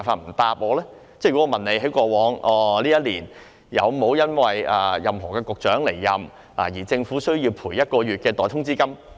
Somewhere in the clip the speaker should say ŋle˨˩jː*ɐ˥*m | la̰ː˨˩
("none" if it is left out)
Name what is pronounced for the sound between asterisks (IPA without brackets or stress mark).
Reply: ɐ˨